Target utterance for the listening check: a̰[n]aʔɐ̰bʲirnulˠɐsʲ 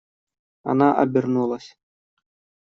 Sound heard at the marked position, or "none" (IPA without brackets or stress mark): n